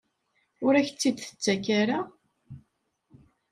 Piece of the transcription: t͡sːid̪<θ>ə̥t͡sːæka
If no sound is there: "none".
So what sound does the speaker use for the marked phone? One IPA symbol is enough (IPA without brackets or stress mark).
θ